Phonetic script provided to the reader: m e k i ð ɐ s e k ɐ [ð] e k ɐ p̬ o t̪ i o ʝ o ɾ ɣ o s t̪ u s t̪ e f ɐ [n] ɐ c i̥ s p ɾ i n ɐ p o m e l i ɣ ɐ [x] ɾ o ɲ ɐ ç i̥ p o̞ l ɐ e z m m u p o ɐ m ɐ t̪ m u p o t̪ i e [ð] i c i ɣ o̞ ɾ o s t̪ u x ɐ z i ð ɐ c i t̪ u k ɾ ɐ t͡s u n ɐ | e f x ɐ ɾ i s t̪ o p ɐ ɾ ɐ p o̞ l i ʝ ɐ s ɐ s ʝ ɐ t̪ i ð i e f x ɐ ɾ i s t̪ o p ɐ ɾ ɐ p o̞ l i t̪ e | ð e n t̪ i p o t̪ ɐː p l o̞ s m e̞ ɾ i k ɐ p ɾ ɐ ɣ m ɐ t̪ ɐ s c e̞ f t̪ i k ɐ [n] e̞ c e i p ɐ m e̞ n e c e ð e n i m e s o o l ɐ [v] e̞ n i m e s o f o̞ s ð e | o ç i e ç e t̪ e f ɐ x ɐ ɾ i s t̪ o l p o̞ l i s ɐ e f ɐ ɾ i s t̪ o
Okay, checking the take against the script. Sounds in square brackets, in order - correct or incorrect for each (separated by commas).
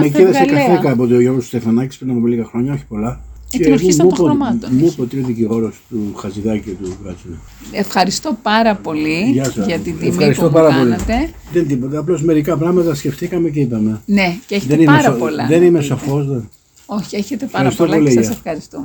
incorrect, correct, correct, correct, incorrect, incorrect